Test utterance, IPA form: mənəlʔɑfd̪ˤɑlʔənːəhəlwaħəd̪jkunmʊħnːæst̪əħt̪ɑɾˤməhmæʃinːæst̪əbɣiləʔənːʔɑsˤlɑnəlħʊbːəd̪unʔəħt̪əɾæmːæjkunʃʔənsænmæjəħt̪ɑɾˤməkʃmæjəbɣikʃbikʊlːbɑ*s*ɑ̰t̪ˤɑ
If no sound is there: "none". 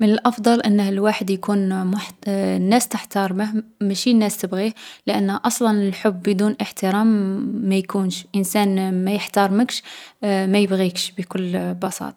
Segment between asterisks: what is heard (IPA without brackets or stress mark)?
s